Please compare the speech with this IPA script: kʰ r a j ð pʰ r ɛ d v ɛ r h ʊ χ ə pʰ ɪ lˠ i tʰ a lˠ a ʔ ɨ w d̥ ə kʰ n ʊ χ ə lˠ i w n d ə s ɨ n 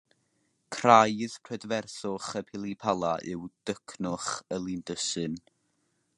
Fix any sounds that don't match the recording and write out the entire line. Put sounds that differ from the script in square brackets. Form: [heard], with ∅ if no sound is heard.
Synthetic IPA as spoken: kʰ r a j ð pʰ r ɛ d v ɛ r [θ] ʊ χ ə pʰ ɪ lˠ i [pʰ] a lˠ a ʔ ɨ w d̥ ə kʰ n ʊ χ ə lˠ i [∅] n d ə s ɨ n